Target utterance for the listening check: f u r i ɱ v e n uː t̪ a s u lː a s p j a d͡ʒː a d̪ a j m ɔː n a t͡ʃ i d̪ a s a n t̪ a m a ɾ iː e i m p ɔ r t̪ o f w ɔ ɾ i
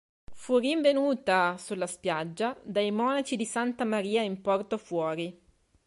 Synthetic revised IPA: f u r i ɱ v e n uː t̪ a s u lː a s p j a d͡ʒː a d̪ a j m ɔː n a t͡ʃ i d̪ i s a n t̪ a m a ɾ iː a i m p ɔ r t̪ o f w ɔː ɾ i